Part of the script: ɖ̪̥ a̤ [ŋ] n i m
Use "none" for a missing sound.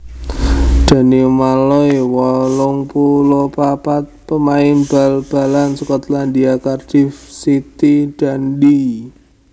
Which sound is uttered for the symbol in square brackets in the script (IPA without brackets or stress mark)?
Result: none